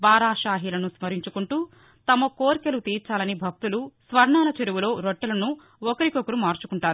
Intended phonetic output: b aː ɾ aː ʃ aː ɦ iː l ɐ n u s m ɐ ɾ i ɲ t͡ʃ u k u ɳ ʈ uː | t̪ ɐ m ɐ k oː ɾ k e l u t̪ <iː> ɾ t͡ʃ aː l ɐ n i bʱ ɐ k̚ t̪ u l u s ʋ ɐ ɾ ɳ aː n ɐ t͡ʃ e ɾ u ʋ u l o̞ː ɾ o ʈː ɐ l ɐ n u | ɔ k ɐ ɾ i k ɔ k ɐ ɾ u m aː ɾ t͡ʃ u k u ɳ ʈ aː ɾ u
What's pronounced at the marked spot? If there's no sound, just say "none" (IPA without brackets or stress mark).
iː